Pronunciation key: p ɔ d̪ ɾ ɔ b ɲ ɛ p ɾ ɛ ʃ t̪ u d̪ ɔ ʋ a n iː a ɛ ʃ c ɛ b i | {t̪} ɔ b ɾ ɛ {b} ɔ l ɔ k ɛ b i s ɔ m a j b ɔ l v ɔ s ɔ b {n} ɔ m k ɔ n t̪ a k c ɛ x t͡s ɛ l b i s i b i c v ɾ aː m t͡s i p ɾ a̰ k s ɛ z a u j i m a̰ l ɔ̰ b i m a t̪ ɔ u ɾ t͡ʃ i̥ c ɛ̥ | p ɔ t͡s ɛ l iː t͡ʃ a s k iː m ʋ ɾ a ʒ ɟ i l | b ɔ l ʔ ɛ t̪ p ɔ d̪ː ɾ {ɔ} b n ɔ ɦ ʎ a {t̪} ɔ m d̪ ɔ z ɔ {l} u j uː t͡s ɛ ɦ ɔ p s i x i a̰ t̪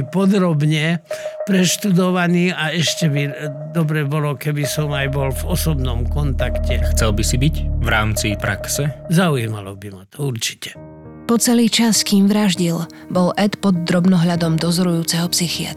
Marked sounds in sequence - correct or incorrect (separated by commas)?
incorrect, correct, correct, correct, incorrect, incorrect